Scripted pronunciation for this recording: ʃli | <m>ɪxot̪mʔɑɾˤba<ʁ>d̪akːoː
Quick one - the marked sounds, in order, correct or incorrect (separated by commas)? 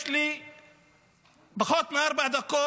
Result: incorrect, incorrect